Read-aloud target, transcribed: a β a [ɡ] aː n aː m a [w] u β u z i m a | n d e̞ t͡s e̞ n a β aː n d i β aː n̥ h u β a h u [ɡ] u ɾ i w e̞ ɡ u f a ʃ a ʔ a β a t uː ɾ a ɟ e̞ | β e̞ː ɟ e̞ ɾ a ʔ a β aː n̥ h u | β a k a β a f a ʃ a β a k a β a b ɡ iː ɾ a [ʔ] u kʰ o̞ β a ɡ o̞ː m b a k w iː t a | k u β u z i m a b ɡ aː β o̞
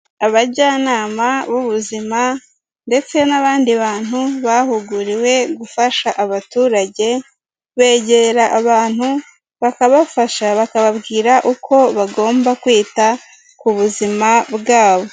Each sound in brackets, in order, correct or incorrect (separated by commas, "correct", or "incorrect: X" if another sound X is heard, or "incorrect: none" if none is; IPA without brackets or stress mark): incorrect: ɟ, incorrect: β, correct, correct